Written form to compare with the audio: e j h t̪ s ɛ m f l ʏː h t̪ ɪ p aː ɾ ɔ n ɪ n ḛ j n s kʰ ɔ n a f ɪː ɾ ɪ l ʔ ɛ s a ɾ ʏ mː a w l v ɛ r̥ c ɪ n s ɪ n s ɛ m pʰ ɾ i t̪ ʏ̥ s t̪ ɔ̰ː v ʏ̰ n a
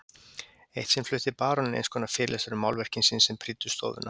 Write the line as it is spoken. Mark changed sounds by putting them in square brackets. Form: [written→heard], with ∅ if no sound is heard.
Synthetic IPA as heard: e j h t̪ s ɛ m f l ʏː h t̪ ɪ p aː ɾ ɔ n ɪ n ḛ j n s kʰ ɔ n a f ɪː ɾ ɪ l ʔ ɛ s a ɾ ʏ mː a w l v ɛ r̥ c ɪ n s ɪ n s ɛ m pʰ ɾ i t̪ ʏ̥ s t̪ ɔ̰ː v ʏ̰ n a